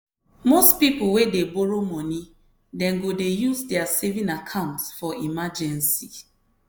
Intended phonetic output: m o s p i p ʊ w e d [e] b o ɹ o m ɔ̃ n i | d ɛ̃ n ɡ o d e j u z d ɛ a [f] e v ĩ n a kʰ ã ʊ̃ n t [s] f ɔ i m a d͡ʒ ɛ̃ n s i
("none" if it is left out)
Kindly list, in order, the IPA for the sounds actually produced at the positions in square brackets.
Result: e, s, s

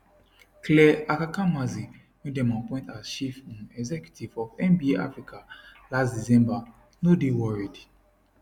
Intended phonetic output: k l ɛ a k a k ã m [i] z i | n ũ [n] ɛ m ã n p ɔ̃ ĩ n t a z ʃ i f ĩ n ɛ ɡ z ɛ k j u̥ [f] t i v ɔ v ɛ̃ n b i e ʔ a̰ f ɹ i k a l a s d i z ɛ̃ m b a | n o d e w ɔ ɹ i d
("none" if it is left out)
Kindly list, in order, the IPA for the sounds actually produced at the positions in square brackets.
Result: a, d, none

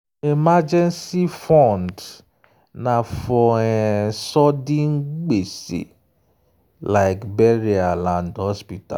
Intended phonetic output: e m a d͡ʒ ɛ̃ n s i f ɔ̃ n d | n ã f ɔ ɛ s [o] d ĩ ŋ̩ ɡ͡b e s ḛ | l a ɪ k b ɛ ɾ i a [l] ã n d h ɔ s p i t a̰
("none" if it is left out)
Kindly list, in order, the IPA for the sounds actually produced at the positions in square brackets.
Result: ɔ, l

